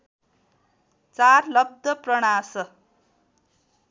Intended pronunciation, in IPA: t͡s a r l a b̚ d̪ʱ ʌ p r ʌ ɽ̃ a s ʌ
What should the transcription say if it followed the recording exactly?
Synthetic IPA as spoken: t͡s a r l ʌ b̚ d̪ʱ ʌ p r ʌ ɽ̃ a s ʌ